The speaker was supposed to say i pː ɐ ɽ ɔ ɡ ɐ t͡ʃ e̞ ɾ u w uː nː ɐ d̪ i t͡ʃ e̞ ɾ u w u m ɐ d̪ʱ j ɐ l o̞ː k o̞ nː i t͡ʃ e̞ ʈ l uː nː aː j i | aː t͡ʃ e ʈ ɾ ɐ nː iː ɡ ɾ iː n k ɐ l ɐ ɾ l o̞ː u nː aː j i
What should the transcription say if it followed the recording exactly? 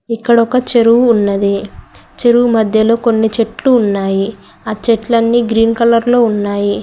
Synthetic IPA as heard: i kː ɐ ɽ ɔ k ɐ t͡ʃ e̞ ɾ u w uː nː ɐ d̪ i t͡ʃ e̞ ɾ u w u m ɐ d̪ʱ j ɐ l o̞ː k o̞ nː i t͡ʃ e̞ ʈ l uː nː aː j i | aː t͡ʃ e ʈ l ɐ nː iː ɡ ɾ iː n k ɐ l ɐ ɾ l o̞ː u nː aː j i